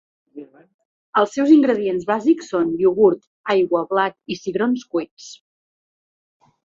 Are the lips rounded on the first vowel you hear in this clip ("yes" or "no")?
no